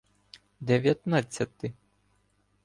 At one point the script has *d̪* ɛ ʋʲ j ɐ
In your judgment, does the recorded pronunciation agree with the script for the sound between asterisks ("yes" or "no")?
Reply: yes